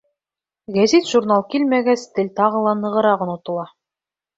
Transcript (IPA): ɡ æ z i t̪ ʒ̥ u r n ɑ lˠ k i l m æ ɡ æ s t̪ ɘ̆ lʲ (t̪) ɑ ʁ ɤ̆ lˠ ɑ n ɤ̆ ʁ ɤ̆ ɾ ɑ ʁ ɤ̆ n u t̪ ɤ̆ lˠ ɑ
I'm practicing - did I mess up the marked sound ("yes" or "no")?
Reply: no